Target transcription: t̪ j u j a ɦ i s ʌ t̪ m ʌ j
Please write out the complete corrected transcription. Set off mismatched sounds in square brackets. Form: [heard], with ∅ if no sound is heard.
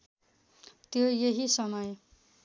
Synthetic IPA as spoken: t̪ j [o] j [e] ɦ i s ʌ [∅] m ʌ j